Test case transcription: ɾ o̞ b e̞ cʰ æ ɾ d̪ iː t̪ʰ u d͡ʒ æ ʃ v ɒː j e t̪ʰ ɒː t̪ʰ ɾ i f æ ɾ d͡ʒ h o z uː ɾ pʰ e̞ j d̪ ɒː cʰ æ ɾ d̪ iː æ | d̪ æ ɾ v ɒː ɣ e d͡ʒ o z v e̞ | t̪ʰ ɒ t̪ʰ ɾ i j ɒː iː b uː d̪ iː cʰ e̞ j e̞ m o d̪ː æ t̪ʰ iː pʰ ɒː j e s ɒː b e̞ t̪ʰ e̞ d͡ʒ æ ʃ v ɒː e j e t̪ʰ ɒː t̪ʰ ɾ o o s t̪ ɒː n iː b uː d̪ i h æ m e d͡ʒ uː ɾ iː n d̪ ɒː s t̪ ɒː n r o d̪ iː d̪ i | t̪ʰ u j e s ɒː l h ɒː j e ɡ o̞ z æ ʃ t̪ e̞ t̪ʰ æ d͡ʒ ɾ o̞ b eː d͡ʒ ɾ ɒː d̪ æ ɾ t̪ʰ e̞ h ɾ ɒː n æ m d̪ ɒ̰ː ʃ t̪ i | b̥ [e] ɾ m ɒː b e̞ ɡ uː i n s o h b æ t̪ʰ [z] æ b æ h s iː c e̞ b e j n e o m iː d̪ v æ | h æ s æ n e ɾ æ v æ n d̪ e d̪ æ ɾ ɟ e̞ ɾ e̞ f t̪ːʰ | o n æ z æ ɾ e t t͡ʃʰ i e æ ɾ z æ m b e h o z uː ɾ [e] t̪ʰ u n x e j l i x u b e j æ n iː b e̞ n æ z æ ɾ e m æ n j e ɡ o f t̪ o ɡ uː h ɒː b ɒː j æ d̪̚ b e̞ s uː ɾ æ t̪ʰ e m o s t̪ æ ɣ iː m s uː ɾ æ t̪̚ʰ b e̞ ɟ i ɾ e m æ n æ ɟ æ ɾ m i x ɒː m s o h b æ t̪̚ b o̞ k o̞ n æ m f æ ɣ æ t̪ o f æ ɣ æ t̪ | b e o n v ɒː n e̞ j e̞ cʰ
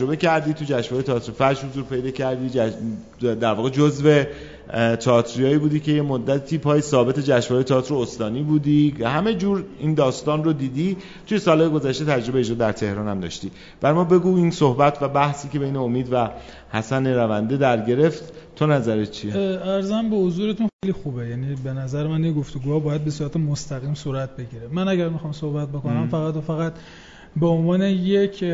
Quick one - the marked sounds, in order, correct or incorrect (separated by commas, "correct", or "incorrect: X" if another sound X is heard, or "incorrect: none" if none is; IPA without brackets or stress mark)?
incorrect: æ, incorrect: v, correct